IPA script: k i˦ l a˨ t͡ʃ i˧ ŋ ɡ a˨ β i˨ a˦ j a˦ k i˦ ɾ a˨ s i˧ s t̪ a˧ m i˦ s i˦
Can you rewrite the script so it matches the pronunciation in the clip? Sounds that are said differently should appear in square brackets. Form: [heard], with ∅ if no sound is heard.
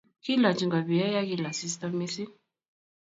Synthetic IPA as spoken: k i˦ l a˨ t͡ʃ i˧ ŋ ɡ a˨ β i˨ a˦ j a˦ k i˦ [l] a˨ s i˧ s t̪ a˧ m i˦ s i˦